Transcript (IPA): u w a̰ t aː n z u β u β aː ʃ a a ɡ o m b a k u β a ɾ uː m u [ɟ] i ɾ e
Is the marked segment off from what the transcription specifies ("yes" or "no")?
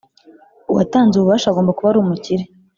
yes